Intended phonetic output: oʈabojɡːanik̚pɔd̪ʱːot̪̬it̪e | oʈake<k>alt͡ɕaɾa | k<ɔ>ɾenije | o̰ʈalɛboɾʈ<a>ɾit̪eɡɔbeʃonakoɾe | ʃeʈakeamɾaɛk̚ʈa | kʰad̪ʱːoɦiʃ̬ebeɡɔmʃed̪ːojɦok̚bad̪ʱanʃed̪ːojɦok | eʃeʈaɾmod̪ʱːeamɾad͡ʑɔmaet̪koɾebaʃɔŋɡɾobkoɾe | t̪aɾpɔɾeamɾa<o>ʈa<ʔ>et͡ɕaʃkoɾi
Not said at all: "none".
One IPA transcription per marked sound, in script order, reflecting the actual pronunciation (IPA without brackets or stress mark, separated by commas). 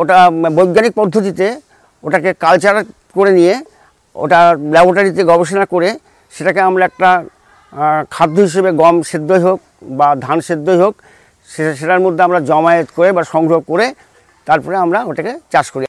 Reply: k, o, a, o, k